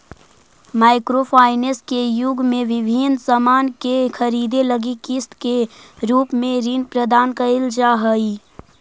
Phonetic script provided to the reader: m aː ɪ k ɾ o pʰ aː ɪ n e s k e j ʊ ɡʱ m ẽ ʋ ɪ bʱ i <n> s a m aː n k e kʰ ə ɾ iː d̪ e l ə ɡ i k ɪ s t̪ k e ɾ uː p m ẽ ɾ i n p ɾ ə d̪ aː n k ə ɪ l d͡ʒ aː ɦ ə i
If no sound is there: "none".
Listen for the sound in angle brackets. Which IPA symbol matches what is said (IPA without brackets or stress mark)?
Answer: n